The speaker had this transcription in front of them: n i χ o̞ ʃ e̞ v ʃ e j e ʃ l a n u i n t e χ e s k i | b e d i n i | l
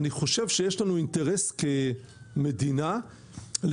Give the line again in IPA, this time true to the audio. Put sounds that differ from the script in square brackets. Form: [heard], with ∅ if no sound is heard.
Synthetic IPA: n i χ o̞ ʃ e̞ v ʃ e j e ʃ l a n u i n t e [ʁ] e s k [e] | [m] e d i n [a] | l